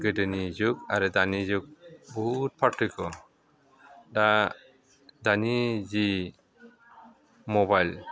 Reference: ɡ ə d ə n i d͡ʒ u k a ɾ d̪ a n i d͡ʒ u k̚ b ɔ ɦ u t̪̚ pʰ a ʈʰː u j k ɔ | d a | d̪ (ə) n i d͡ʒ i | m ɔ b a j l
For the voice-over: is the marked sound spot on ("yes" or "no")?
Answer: no